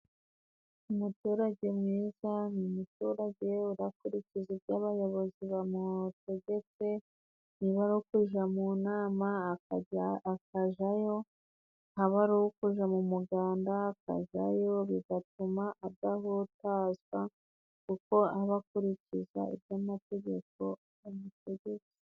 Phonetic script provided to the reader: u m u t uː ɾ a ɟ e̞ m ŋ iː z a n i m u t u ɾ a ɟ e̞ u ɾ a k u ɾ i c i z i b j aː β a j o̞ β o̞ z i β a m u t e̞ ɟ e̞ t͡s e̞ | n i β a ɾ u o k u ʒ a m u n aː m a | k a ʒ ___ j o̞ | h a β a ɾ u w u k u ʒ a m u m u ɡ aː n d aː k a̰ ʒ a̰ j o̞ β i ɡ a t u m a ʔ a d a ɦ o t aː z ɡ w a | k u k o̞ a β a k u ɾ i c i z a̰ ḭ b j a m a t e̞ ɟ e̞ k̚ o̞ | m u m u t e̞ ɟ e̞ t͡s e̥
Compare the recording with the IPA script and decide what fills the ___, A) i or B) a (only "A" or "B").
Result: B